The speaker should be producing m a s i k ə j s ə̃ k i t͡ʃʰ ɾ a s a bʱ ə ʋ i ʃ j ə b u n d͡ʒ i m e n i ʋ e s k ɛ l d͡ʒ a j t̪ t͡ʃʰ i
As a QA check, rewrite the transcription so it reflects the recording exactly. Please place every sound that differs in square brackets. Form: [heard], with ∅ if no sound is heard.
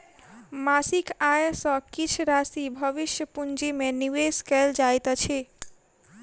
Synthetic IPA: m a s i k [a] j s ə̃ k i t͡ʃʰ ɾ a s [i] bʱ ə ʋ i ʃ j ə [p] u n d͡ʒ i m e n i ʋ e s k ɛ l d͡ʒ a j t̪ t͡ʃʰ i